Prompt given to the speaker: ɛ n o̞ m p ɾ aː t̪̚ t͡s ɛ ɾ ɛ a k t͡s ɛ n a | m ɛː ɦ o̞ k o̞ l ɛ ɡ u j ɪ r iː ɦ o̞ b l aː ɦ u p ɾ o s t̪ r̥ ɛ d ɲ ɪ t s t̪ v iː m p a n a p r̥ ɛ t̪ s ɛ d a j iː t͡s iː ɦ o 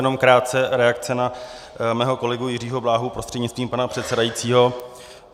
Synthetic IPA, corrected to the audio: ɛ n o̞ m k ɾ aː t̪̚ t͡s ɛ ɾ ɛ a k t͡s ɛ n a | m ɛː ɦ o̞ k o̞ l ɛ ɡ u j ɪ r iː ɦ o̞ b l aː ɦ u p ɾ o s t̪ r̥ ɛ d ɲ ɪ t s t̪ v iː m p a n a p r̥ ɛ t̪ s ɛ d a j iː t͡s iː ɦ o